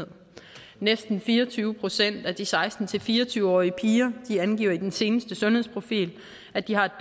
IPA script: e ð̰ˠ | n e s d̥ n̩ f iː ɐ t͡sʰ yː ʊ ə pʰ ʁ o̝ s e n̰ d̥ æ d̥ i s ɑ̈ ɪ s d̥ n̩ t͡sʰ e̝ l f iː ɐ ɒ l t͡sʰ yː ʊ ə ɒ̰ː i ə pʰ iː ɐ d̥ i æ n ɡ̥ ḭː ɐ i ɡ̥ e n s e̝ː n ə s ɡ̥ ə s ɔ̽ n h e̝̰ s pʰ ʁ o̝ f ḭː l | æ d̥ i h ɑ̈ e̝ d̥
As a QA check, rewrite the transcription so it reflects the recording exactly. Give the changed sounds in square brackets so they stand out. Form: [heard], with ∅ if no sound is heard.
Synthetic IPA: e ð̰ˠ | n e s d̥ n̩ f iː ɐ t͡sʰ yː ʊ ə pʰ ʁ o̝ s e n̰ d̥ æ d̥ i s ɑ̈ ɪ s d̥ n̩ t͡sʰ e̝ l f iː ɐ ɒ [∅] t͡sʰ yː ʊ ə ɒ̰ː i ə pʰ iː ɐ d̥ i æ n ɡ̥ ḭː ɐ i [d̥] e n s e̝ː n ə s [d̥] ə s ɔ̽ n h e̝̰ s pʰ ʁ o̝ f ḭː l | æ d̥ i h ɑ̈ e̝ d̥

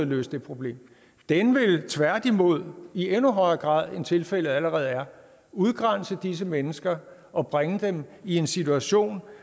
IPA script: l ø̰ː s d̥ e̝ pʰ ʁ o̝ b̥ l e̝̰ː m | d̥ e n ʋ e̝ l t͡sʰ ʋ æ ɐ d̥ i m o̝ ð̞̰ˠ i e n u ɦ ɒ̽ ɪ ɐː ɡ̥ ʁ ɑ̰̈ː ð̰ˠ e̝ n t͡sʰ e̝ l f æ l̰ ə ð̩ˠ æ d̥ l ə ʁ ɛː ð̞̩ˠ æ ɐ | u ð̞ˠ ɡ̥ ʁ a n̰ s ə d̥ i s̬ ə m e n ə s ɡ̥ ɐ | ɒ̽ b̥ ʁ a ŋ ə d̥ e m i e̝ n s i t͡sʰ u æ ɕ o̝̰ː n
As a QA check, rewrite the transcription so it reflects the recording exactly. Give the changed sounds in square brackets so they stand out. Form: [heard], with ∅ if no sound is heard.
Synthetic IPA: l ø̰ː s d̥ e̝ pʰ ʁ o̝ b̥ l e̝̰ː m | d̥ e n ʋ e̝ l t͡sʰ ʋ æ ɐ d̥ i m o̝ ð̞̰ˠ i e n u ɦ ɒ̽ ɪ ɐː ɡ̥ ʁ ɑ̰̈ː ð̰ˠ e̝ n t͡sʰ e̝ l f [e] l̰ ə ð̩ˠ æ [∅] l ə ʁ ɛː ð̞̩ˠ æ ɐ | u ð̞ˠ ɡ̥ ʁ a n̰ s ə d̥ i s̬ ə m e n ə s ɡ̥ ɐ | ɒ̽ b̥ ʁ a ŋ ə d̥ e m i e̝ n s i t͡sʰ u æ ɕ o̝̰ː n

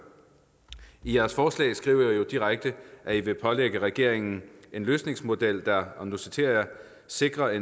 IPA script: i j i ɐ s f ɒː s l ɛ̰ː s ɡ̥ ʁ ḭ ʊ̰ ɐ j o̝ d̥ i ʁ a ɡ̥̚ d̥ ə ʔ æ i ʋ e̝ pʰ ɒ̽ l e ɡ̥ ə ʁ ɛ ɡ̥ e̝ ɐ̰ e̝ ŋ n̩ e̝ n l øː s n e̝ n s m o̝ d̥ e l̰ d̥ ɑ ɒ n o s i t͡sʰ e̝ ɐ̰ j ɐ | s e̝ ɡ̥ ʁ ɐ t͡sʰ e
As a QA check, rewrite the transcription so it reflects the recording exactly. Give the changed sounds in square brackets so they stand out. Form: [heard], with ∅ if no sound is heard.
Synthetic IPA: i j [æ] ɐ s f ɒː s l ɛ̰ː s ɡ̥ ʁ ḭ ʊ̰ ɐ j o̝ d̥ i ʁ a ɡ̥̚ d̥ ə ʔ æ i ʋ e̝ pʰ ɒ̽ l e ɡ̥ ə ʁ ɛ ɡ̥ e̝ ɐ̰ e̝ ŋ n̩ e̝ n l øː s n e̝ [ŋ] s m o̝ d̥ e l̰ d̥ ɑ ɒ n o s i t͡sʰ e̝ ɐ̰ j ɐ | s e̝ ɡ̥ ʁ ɐ [∅] e

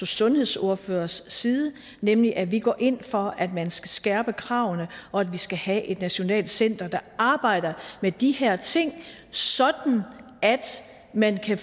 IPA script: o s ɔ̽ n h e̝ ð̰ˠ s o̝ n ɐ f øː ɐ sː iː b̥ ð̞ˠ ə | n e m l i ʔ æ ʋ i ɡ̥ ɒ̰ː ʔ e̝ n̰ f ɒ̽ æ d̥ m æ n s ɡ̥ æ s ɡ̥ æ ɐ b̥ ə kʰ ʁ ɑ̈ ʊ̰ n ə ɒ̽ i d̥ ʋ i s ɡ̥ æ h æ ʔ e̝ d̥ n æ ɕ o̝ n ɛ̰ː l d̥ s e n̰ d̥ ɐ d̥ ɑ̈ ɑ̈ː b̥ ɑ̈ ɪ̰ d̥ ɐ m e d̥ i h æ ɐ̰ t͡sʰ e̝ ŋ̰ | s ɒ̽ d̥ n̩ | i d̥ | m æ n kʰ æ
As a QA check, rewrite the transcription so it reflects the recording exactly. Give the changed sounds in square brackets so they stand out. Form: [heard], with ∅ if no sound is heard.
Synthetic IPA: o s ɔ̽ n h e̝ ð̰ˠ s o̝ [∅] ɐ f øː ɐ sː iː [∅] ð̞ˠ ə | n e m l i ʔ æ ʋ i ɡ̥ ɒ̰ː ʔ e̝ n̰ f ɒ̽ æ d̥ m æ n s ɡ̥ æ s ɡ̥ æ ɐ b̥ ə kʰ ʁ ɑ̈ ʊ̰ n ə ɒ̽ [æ] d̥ ʋ i s ɡ̥ æ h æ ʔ e̝ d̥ n æ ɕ o̝ n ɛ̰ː l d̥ s e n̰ d̥ ɐ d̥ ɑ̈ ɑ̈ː b̥ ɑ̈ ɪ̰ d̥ ɐ m e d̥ i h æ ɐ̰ t͡sʰ e̝ ŋ̰ | s ɒ̽ d̥ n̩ | [æ] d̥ | m æ n kʰ æ

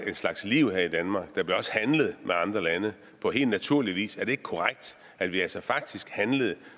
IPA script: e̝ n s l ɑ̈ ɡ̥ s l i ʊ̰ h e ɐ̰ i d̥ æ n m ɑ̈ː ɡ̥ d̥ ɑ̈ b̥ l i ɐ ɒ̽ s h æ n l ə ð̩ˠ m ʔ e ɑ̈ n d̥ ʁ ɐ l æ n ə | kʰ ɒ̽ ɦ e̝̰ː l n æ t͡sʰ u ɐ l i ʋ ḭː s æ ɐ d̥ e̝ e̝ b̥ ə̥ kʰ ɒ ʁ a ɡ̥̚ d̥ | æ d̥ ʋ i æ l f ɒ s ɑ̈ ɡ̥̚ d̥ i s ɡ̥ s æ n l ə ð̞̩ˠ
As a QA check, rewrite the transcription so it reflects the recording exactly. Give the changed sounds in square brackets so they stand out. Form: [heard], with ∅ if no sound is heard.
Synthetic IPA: e̝ n s l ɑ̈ ɡ̥ s l i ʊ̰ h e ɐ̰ i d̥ æ n m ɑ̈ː ɡ̥ d̥ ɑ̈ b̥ l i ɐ ɒ̽ s h æ n l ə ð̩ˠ m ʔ e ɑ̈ n d̥ ʁ ɐ l æ n ə | [pʰ] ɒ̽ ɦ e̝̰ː l n æ t͡sʰ u ɐ l i ʋ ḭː s æ ɐ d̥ e̝ e̝ [ɡ̥] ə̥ kʰ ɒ ʁ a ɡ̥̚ d̥ | æ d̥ ʋ i æ l [s] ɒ [f] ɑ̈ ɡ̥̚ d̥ i s ɡ̥ [h] æ n l ə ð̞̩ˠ

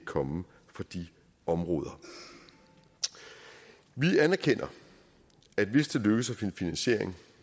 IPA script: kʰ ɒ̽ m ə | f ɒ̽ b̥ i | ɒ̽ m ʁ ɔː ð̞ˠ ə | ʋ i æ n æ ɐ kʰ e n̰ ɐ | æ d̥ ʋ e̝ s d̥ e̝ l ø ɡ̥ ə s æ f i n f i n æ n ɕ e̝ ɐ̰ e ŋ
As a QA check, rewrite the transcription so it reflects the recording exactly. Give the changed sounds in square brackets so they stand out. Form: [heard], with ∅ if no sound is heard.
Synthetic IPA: kʰ ɒ̽ m ə | f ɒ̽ [d̥] i | ɒ̽ m ʁ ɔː ð̞ˠ [ɐ] | ʋ i æ n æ ɐ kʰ e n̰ ɐ | æ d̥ ʋ e̝ s d̥ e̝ l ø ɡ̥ ə s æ f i n f i n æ n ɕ e̝ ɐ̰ e ŋ

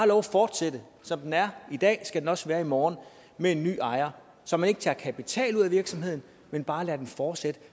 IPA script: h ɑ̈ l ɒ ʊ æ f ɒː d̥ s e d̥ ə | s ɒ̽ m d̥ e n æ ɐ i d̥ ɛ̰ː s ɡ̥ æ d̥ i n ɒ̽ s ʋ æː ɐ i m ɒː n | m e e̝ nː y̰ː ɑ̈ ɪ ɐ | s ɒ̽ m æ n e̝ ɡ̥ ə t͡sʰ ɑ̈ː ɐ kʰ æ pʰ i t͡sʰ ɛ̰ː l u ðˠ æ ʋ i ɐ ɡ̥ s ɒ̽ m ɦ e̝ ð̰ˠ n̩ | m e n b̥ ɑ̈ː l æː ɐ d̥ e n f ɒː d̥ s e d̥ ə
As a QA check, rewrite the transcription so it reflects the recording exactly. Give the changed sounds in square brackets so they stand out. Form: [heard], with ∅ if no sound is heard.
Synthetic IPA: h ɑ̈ l ɒ ʊ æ f ɒː d̥ s e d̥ ə | s ɒ̽ m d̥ e n æ ɐ i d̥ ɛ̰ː s ɡ̥ æ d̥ [e] n ɒ̽ s ʋ æː ɐ i m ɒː n | m e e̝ nː y̰ː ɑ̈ ɪ ɐ | s ɒ̽ m æ n e̝ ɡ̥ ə t͡sʰ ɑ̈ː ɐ kʰ æ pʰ i t͡sʰ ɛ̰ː l u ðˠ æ ʋ i ɐ ɡ̥ s ɒ̽ m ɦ e̝ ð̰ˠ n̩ | m e n b̥ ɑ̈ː l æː ɐ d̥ e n f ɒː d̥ s e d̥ ə

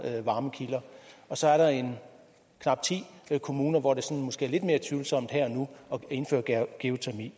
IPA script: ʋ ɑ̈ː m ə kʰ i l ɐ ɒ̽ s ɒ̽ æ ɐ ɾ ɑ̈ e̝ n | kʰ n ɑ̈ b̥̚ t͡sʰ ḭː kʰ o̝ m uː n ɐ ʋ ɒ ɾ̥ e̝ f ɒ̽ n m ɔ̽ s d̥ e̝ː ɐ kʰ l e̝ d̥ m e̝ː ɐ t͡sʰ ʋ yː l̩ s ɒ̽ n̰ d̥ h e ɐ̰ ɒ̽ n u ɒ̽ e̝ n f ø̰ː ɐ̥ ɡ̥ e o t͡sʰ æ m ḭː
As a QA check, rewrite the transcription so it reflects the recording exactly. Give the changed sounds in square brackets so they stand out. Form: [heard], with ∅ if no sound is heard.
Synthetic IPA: ʋ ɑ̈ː m ə kʰ i l ɐ ɒ̽ s ɒ̽ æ ɐ ɾ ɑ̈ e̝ n | kʰ n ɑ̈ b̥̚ t͡sʰ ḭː kʰ o̝ m uː n ɐ ʋ ɒ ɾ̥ e̝ [s] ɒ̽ n m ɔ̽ s [ɡ̥] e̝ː ɐ [∅] l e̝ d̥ m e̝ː ɐ t͡sʰ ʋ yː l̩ s ɒ̽ [m̰] d̥ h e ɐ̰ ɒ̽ n u ɒ̽ e̝ n f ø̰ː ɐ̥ ɡ̥ e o t͡sʰ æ m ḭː

